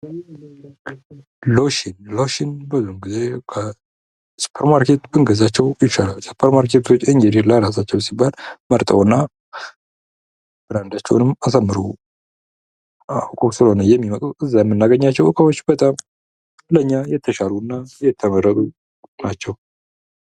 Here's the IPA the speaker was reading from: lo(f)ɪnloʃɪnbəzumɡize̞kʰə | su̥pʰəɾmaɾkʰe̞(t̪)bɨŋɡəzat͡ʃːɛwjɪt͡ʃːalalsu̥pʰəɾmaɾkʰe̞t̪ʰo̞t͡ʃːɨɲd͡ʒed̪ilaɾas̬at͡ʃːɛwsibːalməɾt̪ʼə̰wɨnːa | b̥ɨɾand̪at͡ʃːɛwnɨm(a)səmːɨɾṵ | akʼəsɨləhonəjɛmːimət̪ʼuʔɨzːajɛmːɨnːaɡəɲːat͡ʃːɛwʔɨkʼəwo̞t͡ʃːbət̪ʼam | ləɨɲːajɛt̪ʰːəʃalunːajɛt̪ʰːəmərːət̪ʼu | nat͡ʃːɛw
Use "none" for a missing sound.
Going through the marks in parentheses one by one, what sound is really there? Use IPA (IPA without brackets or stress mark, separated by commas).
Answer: ʃ, t̪, a